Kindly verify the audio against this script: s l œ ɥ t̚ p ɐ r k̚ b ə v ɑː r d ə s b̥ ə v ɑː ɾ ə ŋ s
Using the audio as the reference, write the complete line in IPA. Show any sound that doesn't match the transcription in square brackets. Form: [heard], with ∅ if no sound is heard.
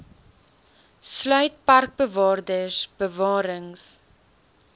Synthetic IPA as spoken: s l œ ɥ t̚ p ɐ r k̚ b ə v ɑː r d ə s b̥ ə v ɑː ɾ ə ŋ s